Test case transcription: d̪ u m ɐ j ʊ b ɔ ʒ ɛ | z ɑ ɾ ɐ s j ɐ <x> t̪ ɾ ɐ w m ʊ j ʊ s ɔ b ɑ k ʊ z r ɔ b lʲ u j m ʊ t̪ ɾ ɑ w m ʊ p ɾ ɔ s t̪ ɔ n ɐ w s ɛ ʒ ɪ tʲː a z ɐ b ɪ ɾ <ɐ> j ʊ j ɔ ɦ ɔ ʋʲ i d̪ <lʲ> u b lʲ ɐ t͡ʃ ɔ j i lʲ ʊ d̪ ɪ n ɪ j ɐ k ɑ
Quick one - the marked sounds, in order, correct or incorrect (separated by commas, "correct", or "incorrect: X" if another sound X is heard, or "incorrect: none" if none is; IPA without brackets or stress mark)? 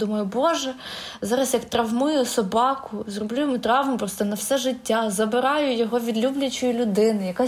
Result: incorrect: k, incorrect: ɑ, correct